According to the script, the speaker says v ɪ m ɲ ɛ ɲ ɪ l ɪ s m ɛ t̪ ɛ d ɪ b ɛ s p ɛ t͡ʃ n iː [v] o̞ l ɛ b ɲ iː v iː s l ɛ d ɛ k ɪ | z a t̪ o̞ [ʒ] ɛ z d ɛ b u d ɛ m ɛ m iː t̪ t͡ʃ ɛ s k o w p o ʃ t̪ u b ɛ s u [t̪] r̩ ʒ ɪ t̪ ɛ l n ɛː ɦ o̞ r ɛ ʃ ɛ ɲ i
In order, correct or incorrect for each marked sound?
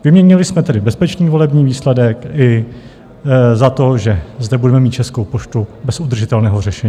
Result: correct, correct, incorrect: d̪

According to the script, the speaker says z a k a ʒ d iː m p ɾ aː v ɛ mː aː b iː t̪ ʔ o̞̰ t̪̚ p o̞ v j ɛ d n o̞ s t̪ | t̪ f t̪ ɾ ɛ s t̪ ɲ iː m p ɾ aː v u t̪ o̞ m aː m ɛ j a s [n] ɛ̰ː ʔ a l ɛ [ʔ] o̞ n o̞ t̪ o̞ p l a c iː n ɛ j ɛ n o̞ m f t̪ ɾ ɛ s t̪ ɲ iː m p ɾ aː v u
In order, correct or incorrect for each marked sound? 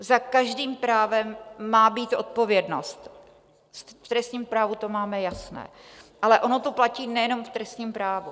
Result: correct, correct

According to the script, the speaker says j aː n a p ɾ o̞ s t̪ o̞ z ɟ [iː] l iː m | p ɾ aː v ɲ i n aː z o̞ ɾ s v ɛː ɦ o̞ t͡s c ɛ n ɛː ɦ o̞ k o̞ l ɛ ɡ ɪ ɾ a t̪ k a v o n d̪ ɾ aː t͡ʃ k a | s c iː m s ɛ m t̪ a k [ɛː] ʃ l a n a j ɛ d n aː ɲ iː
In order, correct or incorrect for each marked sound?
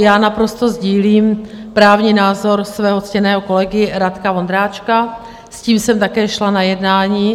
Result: correct, correct

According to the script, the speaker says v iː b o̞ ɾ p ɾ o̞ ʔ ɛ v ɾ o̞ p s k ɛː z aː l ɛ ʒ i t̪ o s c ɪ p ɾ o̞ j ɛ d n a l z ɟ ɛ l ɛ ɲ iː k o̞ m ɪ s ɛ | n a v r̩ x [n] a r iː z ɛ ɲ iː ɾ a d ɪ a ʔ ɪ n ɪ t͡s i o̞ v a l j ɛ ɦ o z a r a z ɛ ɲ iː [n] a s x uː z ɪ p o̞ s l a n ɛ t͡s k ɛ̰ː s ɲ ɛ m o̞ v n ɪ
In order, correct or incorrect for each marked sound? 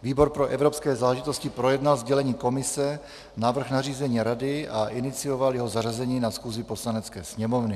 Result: correct, correct

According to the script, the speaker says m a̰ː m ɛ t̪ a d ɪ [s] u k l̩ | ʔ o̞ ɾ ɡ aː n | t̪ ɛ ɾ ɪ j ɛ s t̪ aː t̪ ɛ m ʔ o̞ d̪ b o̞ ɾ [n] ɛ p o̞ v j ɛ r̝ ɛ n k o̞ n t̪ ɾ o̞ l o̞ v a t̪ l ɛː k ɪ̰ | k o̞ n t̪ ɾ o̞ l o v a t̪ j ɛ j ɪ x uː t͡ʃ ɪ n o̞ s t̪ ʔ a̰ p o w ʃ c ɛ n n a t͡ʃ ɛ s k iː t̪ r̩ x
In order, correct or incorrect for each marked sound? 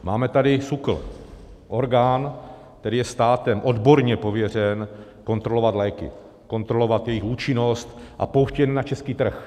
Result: correct, incorrect: ɲ

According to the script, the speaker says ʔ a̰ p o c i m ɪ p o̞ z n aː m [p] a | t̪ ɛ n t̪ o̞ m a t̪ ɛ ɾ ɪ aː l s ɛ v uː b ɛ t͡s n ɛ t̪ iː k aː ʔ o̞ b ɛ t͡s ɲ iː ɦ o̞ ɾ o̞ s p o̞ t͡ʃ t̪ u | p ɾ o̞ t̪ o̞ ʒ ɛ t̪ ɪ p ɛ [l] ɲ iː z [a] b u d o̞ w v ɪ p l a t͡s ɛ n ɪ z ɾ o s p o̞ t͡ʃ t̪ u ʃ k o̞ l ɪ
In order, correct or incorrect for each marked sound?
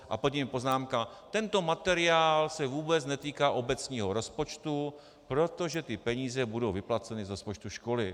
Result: incorrect: k, incorrect: none, incorrect: ɛ

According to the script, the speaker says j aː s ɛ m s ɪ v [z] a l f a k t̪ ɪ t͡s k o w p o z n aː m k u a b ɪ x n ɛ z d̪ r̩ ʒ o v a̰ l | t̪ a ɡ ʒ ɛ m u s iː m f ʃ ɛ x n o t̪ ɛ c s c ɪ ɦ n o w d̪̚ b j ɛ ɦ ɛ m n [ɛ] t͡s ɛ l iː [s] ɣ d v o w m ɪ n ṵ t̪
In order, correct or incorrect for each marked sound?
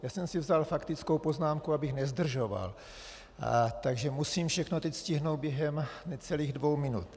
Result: correct, correct, incorrect: none

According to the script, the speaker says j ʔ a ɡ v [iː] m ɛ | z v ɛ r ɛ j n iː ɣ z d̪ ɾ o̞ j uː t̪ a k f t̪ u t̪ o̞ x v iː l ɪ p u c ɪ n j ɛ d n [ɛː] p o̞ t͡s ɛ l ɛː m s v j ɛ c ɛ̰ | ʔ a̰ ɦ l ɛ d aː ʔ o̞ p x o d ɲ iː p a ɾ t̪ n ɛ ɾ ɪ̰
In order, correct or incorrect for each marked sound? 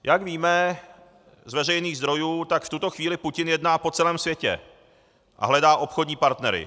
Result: correct, incorrect: aː

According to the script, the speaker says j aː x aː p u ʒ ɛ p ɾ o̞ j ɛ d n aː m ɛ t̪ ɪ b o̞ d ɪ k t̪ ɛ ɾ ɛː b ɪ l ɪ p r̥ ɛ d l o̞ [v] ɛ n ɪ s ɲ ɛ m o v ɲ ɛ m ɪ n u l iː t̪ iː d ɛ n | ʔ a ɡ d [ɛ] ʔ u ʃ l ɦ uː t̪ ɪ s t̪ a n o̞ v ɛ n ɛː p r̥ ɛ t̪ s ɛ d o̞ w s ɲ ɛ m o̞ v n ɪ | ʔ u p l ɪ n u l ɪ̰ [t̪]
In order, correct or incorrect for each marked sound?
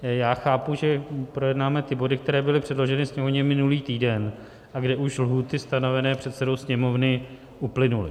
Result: incorrect: ʒ, correct, incorrect: none

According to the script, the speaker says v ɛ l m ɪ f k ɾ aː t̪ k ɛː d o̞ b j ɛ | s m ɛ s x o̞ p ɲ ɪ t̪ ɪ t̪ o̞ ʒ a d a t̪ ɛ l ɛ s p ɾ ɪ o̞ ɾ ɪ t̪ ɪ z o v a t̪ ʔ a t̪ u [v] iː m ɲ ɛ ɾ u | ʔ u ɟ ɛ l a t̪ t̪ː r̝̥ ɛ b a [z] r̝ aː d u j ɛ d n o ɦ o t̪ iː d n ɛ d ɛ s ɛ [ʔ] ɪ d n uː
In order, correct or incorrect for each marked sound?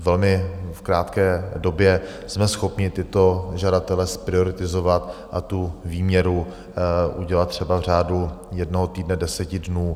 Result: correct, incorrect: v, incorrect: c

